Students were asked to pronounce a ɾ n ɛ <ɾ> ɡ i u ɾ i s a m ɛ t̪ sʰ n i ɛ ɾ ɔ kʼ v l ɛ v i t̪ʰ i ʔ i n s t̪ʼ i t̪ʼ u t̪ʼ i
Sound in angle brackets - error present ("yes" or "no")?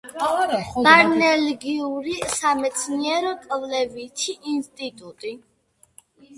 yes